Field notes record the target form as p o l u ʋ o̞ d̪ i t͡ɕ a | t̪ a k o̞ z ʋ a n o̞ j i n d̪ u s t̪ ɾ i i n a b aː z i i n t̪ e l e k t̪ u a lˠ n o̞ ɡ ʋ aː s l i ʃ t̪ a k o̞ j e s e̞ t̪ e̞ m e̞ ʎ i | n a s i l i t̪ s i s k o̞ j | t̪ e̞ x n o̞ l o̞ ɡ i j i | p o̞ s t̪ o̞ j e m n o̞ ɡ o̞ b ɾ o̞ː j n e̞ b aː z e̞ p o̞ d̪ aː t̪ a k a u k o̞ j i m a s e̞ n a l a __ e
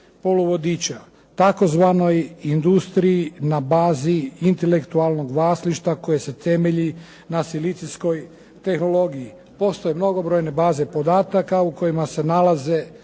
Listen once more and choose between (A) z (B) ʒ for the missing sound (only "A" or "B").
A